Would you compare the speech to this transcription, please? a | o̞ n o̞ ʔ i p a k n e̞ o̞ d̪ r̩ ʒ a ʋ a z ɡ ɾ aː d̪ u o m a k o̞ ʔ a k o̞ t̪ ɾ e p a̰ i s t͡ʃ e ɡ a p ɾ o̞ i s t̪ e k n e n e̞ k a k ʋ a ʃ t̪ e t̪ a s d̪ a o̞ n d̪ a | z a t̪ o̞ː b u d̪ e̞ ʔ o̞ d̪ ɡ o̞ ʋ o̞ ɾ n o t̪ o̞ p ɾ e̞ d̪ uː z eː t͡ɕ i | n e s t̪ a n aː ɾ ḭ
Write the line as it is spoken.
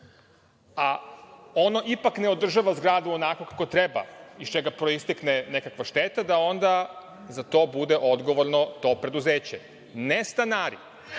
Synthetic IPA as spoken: a | o̞ n o̞ ʔ i p a k n e̞ o̞ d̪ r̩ ʒ a ʋ a z ɡ ɾ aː d̪ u o n a k o̞ k a k o̞ t̪ ɾ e b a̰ i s t͡ʃ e ɡ a p ɾ o̞ i s t̪ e k n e n e̞ k a k ʋ a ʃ t̪ e t̪ a d̪ a o̞ n d̪ a | z a t̪ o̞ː b u d̪ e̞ ʔ o̞ d̪ ɡ o̞ ʋ o̞ ɾ n o t̪ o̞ p ɾ e̞ d̪ u z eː t͡ɕ e | n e s t̪ a n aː ɾ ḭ